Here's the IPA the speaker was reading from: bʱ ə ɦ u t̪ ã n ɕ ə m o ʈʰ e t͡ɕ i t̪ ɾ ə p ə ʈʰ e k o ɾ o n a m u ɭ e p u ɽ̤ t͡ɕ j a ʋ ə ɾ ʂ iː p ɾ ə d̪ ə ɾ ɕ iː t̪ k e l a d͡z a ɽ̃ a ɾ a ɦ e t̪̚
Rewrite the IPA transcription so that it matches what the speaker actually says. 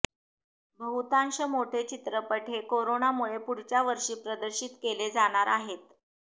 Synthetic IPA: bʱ ə ɦ u t̪ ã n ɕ ə m o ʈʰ e t͡ɕ i t̪ ɾ ə p ə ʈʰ e k o ɾ o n a m u ɭ e p u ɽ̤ t͡ɕ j a ʋ ə ɾ ʂ iː p ɾ ə d̪ ə ɾ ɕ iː t̪ k e l e d͡z a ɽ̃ a ɾ a ɦ e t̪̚